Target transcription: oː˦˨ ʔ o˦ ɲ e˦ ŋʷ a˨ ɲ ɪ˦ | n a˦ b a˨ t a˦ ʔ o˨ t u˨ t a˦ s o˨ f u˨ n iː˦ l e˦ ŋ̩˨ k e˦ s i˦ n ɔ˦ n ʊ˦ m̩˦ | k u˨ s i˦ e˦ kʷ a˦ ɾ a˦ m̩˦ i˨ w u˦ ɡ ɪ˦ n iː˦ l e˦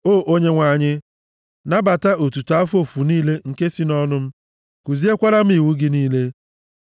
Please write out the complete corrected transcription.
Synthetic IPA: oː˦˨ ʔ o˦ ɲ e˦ ŋʷ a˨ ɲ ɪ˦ | n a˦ b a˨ t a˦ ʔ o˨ t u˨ t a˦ f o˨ f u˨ n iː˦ l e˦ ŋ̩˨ k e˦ s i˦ n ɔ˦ n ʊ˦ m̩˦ | k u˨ z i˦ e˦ kʷ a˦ ɾ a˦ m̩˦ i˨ w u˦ ɡ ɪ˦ n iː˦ l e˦

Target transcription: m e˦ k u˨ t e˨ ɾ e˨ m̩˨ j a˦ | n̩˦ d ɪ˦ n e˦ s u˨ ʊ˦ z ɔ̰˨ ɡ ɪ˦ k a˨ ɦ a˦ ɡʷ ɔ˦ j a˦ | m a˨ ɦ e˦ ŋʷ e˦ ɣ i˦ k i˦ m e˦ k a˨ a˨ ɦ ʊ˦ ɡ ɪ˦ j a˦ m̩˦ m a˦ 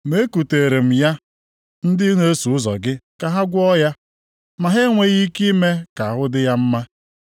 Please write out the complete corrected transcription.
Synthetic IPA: m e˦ k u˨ t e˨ ɾ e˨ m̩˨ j a˦ | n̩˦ d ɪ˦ n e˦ s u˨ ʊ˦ z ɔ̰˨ ɡ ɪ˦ k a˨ ɦ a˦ ɡʷ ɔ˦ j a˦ | m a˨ ɦ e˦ ŋʷ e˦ ɣ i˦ k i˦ m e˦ k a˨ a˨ ɦ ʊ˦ d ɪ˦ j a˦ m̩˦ m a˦

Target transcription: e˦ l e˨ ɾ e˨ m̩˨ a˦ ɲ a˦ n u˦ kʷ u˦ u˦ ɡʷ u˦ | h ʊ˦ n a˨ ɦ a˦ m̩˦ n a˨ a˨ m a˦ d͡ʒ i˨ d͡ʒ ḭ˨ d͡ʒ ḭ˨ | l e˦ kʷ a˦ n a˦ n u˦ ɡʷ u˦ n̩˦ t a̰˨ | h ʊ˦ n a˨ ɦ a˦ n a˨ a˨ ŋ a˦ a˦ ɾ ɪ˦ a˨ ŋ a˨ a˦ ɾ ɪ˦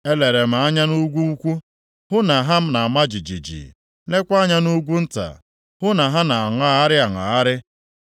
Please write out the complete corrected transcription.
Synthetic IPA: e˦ l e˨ ɾ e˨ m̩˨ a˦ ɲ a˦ n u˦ ɡʷ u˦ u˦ kʷ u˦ | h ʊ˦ n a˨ ɦ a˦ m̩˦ n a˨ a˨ m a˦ d͡ʒ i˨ d͡ʒ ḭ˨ d͡ʒ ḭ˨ | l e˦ kʷ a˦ ɲ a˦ n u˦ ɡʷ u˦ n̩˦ t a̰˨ | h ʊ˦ n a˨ ɦ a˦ n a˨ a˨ ŋ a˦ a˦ ɾ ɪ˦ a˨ ŋ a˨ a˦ ɾ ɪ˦

